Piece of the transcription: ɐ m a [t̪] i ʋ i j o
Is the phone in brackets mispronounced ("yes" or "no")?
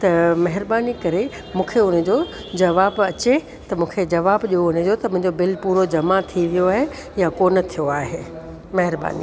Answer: yes